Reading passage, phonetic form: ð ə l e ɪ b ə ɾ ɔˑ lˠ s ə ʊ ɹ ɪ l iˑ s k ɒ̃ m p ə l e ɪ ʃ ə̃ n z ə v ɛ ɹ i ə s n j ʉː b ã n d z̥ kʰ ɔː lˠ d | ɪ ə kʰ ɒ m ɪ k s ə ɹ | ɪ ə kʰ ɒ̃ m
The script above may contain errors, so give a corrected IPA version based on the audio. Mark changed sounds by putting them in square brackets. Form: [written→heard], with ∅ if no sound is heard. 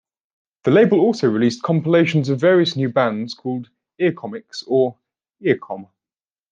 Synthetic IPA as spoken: ð ə l e ɪ b ə [ɾ→l] ɔˑ lˠ s ə ʊ ɹ ɪ l iˑ s [k→kʰ] ɒ̃ m p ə l e ɪ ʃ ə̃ n z ə v [ɛ→ɛː] ɹ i ə s n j ʉː b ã n d z̥ kʰ ɔː lˠ d | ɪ ə kʰ ɒ m ɪ k s ə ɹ | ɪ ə kʰ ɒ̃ m